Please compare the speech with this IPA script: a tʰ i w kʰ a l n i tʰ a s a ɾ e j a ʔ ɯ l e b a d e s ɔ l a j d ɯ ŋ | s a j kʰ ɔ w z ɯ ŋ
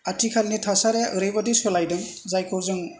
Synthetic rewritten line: a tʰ i kʰ a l n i tʰ a s a ɾ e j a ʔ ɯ ɾ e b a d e s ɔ l a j d ɯ ŋ | z a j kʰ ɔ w z ɯ ŋ